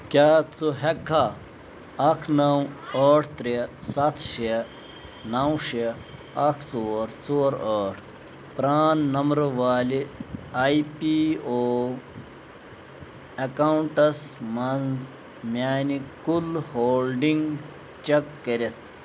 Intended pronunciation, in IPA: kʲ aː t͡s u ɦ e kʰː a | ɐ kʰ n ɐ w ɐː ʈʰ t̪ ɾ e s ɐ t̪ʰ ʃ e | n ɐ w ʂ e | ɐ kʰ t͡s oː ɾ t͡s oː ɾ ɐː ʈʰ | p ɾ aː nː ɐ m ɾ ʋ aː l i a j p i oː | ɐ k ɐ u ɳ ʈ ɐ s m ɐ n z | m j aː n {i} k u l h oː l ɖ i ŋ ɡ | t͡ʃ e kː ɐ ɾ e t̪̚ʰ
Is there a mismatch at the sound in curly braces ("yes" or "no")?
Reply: no